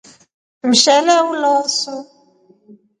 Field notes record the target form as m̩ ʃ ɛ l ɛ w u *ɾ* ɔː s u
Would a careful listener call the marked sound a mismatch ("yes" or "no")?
yes